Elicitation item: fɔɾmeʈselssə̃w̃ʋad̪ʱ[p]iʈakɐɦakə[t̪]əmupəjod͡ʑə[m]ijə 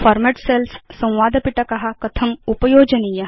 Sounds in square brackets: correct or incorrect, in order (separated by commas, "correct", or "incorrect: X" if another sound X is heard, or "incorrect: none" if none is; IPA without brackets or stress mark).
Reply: correct, incorrect: t̪ʰ, incorrect: n